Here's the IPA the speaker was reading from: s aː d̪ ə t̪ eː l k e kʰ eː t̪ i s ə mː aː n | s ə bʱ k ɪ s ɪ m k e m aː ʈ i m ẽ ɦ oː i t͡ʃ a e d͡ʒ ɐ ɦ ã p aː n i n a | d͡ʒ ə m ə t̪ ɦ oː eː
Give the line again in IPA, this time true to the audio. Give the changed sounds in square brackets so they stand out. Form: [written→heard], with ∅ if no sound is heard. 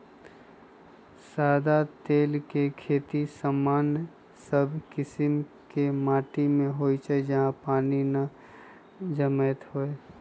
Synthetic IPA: s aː d̪ [ə→a] t̪ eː l k e kʰ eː t̪ i s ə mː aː n | s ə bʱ k ɪ s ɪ m k e m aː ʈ i m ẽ ɦ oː i t͡ʃ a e d͡ʒ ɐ ɦ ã p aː n i n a | d͡ʒ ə m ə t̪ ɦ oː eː